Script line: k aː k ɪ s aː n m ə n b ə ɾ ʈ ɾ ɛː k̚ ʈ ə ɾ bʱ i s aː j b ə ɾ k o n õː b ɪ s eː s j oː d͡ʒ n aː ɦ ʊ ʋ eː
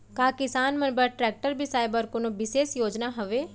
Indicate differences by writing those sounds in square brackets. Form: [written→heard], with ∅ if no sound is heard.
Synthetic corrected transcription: k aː k ɪ s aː n m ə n b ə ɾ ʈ ɾ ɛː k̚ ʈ ə ɾ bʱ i s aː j b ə ɾ k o n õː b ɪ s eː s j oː d͡ʒ n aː ɦ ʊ ʋ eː